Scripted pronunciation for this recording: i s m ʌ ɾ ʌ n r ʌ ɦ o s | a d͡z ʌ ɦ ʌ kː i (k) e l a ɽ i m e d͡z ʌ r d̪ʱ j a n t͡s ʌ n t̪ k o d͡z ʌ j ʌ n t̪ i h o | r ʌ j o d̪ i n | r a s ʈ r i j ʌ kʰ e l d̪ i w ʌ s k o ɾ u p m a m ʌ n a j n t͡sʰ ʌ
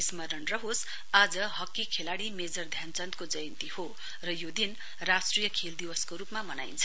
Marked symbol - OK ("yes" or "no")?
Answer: no